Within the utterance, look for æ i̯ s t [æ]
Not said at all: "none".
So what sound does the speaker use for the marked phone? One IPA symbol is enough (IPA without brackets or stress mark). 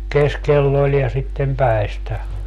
æ